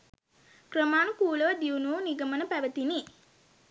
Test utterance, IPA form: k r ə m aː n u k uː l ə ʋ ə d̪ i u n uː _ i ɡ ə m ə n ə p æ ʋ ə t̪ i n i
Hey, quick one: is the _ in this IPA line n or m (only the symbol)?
n